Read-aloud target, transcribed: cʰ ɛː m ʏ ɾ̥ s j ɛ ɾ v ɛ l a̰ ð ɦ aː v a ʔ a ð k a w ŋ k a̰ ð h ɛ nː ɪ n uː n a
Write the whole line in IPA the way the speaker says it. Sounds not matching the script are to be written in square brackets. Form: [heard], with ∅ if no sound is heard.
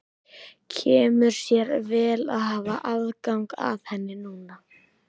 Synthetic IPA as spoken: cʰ ɛː m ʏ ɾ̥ s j ɛ ɾ v [ɛː] l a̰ ð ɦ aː v a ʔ a ð k a w ŋ k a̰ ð h ɛ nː ɪ n uː n a